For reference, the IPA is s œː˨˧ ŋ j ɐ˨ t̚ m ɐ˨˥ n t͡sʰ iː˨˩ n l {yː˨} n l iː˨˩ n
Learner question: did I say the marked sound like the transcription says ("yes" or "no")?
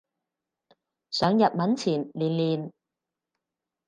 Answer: no